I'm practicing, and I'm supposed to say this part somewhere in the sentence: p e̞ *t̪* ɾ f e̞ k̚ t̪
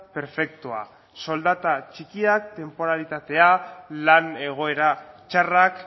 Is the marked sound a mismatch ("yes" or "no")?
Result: yes